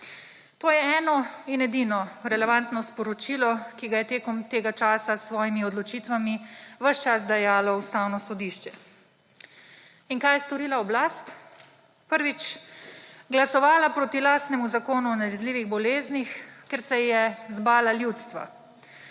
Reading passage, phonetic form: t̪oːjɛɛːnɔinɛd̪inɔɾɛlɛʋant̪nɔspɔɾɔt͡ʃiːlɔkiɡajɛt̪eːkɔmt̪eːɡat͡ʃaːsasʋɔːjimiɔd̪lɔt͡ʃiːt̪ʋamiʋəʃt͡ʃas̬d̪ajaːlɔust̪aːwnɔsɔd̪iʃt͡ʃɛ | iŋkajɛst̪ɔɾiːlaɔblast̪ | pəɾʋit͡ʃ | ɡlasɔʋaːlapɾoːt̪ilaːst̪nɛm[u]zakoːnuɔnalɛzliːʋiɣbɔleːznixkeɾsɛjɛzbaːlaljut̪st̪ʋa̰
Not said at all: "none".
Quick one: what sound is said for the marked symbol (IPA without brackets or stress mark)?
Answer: u